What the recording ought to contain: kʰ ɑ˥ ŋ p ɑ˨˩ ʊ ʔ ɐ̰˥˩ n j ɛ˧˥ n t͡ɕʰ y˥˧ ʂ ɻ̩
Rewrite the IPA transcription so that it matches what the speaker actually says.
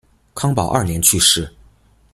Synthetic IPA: kʰ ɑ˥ ŋ p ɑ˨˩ ʊ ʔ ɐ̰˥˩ n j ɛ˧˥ n t͡ɕʰ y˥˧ ʂ ɻ̩